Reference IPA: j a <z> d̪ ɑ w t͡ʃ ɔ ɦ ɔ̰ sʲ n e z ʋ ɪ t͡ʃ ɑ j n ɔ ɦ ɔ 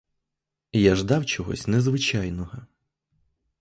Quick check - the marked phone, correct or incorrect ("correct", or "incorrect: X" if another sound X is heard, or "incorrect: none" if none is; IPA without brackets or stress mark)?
incorrect: ʒ